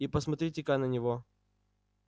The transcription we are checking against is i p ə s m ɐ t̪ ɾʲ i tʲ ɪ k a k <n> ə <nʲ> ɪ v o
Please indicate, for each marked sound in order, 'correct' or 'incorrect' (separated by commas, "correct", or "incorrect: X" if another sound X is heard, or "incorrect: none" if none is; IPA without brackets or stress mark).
correct, correct